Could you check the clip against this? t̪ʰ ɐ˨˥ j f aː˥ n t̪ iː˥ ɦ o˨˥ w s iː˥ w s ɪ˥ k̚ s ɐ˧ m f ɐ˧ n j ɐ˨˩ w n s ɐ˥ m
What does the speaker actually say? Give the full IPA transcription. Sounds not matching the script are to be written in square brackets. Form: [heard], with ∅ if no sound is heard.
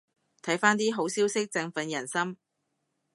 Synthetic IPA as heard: t̪ʰ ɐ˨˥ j f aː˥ n t̪ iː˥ ɦ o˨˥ w s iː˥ w s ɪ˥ k̚ [t͡s] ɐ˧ [ŋ] f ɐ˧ n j ɐ˨˩ [∅] n s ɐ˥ m